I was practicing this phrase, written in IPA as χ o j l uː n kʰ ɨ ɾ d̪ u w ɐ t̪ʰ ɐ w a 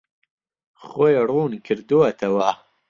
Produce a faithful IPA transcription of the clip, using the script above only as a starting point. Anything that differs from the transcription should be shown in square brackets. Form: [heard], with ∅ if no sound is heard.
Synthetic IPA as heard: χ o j [r] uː n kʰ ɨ ɾ d̪ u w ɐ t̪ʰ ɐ w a